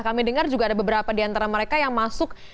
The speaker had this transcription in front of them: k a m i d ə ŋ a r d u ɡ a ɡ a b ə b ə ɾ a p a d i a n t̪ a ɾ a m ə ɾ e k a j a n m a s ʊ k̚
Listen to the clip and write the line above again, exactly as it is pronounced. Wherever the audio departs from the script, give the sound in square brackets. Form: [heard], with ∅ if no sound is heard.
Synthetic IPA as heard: k a m i d ə ŋ a r [d͡ʒ] u ɡ a [d] a b ə b ə ɾ a p a d i a n t̪ a ɾ a m ə ɾ e k a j a [ŋ] m a s ʊ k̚